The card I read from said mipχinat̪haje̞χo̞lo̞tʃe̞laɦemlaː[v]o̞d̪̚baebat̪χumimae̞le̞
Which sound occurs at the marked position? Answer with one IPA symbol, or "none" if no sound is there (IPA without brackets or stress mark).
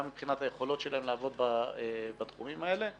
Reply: v